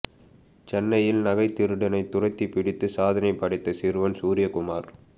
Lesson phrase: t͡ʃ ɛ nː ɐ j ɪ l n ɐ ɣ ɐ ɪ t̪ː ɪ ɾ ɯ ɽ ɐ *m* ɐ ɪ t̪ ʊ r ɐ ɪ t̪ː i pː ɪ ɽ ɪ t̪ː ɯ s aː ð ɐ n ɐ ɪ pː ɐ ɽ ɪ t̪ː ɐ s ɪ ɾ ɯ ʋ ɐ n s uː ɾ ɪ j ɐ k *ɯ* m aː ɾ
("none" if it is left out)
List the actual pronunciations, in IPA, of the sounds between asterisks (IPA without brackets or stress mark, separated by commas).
n, ʊ